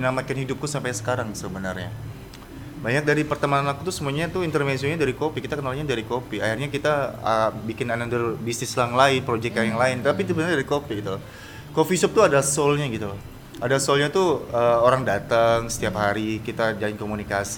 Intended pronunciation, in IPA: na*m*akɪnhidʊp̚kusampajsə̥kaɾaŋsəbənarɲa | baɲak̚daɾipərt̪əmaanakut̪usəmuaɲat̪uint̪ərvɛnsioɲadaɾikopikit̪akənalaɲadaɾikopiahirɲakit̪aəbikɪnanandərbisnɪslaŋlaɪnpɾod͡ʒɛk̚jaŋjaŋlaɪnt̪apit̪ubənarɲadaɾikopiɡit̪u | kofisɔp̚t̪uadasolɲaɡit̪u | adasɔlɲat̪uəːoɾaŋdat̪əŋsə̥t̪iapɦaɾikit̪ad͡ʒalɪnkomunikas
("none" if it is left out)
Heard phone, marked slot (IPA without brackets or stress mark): m